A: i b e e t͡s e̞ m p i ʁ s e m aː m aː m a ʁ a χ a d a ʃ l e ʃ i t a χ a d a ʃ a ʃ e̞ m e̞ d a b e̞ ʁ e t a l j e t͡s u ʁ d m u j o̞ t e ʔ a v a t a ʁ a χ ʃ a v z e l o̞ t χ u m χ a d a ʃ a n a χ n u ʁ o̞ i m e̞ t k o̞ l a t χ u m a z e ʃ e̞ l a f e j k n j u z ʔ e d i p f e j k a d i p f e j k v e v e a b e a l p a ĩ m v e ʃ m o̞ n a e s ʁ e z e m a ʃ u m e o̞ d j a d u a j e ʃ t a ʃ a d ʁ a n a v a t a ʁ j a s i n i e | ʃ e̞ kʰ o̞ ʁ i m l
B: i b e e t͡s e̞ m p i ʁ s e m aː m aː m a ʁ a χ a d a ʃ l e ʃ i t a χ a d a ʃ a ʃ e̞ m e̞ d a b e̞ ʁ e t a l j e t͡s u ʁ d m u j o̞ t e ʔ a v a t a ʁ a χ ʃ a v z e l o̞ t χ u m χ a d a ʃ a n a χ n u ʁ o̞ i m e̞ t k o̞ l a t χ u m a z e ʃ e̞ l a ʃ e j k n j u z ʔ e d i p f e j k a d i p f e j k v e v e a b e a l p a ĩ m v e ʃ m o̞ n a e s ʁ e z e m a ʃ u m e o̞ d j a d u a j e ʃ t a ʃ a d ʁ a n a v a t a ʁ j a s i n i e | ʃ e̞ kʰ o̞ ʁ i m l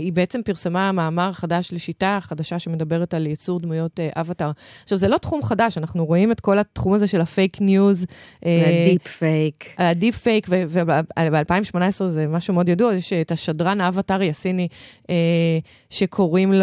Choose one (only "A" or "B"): A